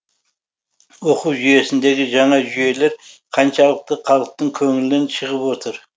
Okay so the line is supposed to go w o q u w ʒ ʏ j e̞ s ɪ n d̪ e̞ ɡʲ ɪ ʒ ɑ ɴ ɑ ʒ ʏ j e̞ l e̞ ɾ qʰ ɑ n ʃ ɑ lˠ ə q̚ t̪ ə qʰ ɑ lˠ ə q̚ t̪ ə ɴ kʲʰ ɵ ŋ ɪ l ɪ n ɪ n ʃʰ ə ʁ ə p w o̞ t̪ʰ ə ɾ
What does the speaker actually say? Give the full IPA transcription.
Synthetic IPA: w o q u w ʒ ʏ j e̞ s ɪ n d̪ e̞ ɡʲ ɪ ʒ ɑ ɴ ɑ ʒ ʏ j e̞ l e̞ ɾ qʰ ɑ n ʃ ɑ lˠ ə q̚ t̪ ə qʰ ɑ lˠ ə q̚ t̪ ə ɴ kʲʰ ɵ ŋ ɪ l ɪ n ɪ n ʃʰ ə ʁ ə p w o̞ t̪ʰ ə ɾ